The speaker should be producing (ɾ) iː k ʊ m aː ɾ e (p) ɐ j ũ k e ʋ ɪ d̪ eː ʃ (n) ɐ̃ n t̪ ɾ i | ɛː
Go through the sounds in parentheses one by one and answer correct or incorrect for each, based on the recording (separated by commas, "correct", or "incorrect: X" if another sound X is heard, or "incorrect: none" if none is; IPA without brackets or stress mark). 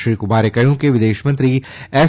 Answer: correct, incorrect: k, incorrect: m